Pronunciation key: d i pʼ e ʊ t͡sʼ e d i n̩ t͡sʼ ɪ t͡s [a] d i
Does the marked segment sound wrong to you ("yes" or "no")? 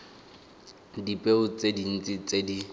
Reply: yes